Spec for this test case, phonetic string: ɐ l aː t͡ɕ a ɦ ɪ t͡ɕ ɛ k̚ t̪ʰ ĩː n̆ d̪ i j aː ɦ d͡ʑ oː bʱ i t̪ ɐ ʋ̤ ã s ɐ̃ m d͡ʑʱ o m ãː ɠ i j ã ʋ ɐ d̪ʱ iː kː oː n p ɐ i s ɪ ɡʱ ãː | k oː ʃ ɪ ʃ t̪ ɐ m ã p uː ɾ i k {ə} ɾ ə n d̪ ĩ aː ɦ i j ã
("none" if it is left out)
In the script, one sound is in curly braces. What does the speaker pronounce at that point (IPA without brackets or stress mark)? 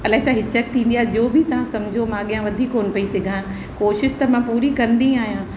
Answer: ɐ